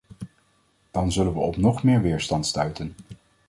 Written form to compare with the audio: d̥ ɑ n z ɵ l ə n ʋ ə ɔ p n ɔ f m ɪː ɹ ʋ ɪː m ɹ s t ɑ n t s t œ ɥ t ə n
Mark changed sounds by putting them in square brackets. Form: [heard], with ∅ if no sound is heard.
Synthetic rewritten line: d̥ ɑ n z ɵ l ə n ʋ ə ɔ p n ɔ [χ] m ɪː ɹ ʋ ɪː [∅] ɹ s t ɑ n t s t œ ɥ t ə n